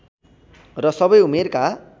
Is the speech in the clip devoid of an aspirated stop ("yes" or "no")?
yes